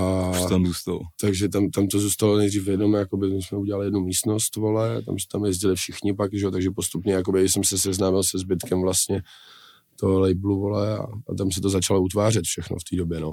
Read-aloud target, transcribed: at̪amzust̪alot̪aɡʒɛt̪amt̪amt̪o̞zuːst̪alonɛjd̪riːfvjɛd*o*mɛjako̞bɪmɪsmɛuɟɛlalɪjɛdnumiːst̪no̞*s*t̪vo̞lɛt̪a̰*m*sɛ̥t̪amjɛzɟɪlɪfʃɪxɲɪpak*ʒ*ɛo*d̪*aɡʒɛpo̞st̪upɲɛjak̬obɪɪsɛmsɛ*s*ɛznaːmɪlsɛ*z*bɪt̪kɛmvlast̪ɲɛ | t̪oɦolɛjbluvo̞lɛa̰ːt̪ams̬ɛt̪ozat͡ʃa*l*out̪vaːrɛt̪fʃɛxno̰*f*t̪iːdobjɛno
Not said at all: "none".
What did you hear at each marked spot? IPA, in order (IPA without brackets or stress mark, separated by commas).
o, s, m, ʒ, t̪, s, z, l, f